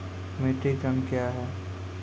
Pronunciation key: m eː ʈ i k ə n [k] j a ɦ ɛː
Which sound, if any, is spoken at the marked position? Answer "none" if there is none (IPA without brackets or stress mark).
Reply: k